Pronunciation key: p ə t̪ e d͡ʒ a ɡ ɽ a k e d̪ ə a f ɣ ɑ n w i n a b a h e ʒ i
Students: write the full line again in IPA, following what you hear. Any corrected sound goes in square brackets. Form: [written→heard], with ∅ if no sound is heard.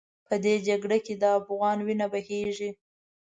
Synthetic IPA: p ə [t̪→d̪] e d͡ʒ a ɡ ɽ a k e d̪ ə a f ɣ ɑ n w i n a b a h e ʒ i

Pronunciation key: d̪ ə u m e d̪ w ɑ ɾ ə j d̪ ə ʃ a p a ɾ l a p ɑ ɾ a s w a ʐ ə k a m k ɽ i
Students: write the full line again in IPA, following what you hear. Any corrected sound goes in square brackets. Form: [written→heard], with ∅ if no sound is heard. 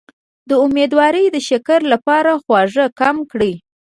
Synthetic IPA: d̪ ə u m e d̪ w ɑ ɾ ə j d̪ ə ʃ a [p→k] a ɾ l a p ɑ ɾ a [s→x] w [a→ɑ] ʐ ə k a m k ɽ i

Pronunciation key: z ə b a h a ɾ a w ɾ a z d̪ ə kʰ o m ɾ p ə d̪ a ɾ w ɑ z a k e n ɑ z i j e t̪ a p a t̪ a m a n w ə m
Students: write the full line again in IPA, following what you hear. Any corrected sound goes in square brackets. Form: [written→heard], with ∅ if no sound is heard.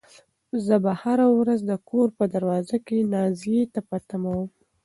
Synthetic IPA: z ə b a h a ɾ a w ɾ a z d̪ ə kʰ o [m→∅] ɾ p ə d̪ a ɾ w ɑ z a k e n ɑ z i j e t̪ a p a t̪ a m a [n→∅] w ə m

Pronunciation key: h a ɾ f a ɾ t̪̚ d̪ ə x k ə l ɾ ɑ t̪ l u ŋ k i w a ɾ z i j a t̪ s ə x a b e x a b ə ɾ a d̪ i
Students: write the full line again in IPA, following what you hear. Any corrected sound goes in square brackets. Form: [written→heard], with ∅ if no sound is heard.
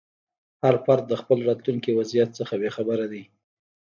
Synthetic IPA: h a ɾ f a ɾ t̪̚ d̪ ə x [k→p] ə l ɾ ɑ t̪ l u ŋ k i w a [ɾ→∅] z i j a t̪ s ə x a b e x a b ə ɾ a d̪ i

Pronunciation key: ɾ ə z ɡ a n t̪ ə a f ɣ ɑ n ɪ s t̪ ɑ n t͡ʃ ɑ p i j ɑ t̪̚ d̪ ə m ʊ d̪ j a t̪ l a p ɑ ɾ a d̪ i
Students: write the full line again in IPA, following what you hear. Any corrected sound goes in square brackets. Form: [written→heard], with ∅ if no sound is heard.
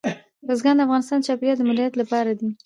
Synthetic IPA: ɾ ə z ɡ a n [t̪→d̪] ə a f ɣ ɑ n ɪ s t̪ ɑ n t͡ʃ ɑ p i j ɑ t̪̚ d̪ ə m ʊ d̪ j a t̪ l a p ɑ ɾ a d̪ i

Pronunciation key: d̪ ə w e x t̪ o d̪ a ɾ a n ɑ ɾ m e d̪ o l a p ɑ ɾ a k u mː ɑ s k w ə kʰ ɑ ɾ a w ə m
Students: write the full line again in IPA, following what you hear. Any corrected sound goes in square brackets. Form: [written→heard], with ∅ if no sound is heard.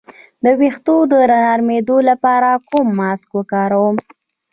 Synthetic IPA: d̪ ə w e x t̪ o d̪ [a→ə] ɾ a n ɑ ɾ m e d̪ o l a p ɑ ɾ a k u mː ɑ s k w ə [kʰ→k] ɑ ɾ a w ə m

